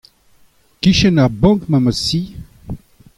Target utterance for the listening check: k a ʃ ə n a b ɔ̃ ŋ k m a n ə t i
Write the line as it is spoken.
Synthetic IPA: k i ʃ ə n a b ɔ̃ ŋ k m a m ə s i